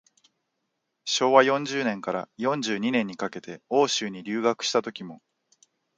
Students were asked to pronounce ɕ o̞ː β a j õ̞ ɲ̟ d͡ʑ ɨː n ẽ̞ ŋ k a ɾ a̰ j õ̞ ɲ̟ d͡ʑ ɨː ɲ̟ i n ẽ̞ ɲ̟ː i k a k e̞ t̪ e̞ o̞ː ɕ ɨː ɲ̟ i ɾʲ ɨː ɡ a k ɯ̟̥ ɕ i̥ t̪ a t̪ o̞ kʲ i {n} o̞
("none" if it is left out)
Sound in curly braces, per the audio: m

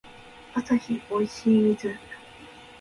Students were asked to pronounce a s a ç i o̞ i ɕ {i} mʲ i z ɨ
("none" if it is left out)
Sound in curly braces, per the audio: iː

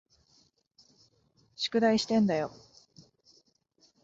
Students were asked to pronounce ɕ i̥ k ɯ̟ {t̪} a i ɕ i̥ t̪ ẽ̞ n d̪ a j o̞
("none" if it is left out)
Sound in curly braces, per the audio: d̪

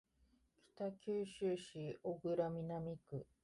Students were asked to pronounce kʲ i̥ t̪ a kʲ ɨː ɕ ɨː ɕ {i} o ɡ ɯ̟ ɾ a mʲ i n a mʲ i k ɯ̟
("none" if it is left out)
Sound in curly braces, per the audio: i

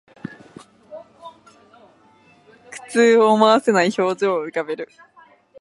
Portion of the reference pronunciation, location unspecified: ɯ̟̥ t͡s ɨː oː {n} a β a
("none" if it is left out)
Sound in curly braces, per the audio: m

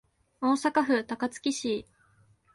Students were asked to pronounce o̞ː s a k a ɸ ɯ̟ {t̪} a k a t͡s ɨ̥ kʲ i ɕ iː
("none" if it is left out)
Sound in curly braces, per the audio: t̪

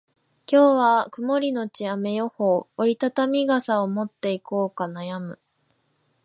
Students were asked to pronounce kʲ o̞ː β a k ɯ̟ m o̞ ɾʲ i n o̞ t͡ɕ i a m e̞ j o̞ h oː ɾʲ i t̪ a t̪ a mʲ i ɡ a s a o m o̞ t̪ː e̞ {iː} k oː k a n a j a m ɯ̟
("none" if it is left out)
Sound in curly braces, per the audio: i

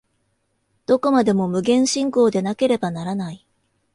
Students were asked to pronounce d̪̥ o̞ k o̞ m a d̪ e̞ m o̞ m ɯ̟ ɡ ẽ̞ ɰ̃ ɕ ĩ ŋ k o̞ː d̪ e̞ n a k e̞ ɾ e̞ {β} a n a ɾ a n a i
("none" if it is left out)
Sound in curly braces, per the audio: b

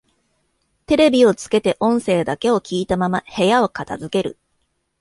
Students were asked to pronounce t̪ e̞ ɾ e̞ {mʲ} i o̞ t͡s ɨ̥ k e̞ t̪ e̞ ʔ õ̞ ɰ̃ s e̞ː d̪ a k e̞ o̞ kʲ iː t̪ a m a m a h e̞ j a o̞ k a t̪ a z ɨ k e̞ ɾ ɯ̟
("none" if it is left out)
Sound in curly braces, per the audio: bʲ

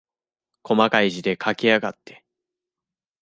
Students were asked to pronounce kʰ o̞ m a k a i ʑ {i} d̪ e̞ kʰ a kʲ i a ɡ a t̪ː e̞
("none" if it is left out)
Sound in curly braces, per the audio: i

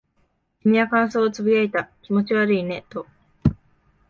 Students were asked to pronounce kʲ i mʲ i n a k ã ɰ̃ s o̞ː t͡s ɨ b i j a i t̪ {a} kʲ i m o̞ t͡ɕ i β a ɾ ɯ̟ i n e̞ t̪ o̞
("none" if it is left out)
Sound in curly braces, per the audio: a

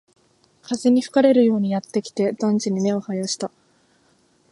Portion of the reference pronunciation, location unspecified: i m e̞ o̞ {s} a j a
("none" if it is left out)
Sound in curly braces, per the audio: h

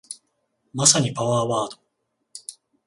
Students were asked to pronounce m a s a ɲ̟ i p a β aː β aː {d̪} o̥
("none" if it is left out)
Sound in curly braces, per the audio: d̪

